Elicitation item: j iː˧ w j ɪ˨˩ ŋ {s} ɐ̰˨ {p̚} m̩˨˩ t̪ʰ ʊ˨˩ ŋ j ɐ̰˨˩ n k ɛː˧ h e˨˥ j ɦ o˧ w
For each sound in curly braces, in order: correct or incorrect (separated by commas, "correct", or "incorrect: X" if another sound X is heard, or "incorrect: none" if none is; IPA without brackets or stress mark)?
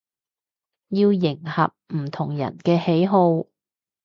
incorrect: h, correct